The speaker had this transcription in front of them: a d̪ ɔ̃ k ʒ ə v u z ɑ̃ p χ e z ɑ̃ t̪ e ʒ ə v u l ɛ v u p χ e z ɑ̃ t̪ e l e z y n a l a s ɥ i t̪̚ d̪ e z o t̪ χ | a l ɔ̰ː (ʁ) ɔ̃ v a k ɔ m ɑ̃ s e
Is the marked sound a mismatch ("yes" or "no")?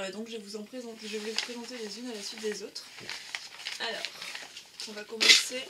no